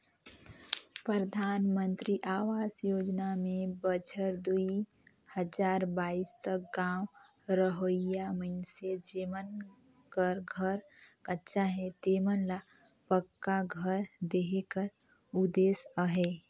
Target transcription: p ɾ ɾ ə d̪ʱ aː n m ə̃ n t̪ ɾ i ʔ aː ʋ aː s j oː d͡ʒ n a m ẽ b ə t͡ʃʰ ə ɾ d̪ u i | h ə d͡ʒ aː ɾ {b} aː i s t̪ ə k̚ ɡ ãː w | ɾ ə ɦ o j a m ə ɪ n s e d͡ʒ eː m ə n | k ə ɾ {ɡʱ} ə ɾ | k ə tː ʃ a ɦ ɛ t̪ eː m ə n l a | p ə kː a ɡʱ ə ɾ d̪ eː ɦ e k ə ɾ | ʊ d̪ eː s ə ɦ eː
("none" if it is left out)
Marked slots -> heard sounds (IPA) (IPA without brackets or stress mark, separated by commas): b, ɡʱ